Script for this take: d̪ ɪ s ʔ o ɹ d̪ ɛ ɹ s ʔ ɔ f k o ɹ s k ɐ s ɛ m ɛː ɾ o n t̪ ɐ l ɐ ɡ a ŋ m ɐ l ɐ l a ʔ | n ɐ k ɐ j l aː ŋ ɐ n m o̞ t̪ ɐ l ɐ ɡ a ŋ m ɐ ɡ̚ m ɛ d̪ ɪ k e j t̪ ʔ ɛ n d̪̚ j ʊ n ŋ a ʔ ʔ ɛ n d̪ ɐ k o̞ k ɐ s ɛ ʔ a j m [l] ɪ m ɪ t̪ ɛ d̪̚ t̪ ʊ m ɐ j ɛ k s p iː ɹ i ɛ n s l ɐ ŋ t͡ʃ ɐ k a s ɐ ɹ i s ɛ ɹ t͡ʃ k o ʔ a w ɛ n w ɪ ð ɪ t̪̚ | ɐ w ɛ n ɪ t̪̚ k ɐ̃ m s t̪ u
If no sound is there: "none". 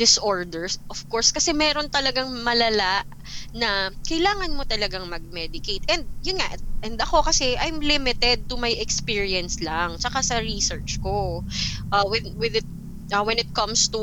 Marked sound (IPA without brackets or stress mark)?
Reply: l